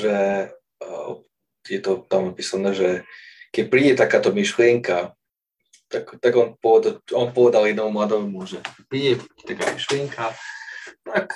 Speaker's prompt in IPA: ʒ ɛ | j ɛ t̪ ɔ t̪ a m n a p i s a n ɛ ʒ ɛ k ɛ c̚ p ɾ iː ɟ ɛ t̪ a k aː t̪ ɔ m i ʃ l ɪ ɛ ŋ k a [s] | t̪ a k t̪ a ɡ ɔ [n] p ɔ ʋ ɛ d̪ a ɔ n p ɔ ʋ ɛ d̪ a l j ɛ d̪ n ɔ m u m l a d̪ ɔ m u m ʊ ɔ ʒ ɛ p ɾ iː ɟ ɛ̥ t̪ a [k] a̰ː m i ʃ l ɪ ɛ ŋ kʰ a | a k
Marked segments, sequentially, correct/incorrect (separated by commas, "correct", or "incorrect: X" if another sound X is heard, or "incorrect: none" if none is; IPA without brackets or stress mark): incorrect: none, correct, correct